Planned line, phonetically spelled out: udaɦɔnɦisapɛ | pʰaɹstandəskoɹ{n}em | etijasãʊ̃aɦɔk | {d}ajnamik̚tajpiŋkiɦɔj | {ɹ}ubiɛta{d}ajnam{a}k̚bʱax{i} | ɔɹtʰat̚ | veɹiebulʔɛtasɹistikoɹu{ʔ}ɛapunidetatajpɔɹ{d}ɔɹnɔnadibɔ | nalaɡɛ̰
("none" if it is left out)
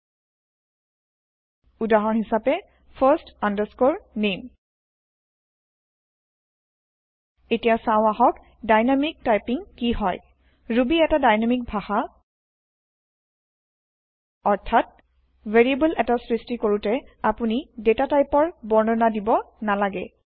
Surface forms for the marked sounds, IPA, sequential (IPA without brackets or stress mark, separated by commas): n, d, ɹ, d, i, a, t, b